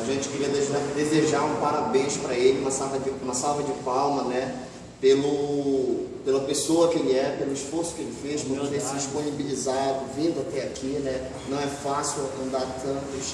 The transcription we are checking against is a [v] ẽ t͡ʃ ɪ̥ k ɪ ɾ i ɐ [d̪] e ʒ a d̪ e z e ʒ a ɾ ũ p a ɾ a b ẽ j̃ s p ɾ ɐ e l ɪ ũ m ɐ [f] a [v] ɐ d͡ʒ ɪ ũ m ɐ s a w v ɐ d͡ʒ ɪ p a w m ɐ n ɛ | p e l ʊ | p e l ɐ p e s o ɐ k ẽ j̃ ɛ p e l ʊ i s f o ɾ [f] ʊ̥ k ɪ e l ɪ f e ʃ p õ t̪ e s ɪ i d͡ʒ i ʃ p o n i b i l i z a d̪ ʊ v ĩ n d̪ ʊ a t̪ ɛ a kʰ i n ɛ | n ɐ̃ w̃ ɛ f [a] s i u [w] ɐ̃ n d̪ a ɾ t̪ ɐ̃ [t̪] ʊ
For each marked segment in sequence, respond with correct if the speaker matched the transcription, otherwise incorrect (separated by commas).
incorrect, correct, incorrect, correct, incorrect, correct, correct, correct